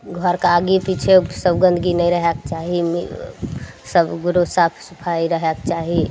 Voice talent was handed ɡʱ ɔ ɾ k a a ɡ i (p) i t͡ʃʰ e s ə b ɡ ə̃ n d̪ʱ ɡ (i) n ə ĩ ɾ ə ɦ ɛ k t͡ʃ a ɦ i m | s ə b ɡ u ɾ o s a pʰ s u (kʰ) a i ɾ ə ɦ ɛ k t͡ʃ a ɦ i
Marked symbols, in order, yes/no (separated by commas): yes, yes, no